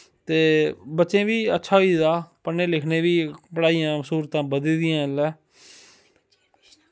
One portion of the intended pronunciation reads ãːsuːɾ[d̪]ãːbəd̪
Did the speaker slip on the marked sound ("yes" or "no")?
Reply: yes